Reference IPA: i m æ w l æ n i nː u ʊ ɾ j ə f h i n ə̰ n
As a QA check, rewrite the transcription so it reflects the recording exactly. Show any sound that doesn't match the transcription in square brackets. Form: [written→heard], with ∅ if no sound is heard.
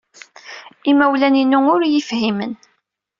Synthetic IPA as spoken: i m æ w l æ n i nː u ʊ ɾ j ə f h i [n→m] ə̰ n